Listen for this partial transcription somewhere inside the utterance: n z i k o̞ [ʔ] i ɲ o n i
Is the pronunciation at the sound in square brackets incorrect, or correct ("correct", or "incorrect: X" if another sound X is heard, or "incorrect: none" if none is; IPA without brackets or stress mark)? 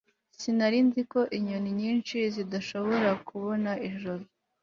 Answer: correct